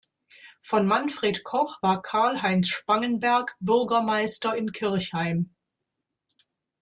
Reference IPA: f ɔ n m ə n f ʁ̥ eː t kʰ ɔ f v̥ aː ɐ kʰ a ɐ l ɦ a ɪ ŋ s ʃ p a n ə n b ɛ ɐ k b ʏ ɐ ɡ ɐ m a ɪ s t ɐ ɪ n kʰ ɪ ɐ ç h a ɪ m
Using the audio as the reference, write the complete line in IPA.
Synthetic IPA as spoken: f ɔ n m a n f ʁ̥ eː t kʰ ɔ χ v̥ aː ɐ kʰ a ɐ l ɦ a ɪ n s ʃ p a ŋ ə n b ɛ ɐ k b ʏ ɐ ɡ ɐ m a ɪ s t ɐ ɪ n kʰ ɪ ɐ ç h a ɪ m